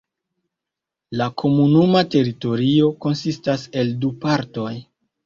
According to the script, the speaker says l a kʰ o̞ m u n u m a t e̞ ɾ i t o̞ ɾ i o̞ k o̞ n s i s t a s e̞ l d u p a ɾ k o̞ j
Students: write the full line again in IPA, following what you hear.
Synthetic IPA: l a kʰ o̞ m u n u m a t e̞ ɾ i t o̞ ɾ i o̞ k o̞ n s i s t a s e̞ l d u p a ɾ t o̞ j